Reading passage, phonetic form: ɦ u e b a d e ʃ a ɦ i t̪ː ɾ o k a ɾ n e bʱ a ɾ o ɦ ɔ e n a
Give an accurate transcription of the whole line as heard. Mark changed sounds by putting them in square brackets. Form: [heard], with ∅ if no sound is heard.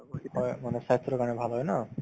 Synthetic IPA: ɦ [ɔ] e [m] a [n] e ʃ a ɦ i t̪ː ɾ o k a [∅] n e bʱ a [l] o ɦ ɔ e n a